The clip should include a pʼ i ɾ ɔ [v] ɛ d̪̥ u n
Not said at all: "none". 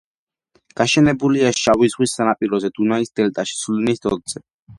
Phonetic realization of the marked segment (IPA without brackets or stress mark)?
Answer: z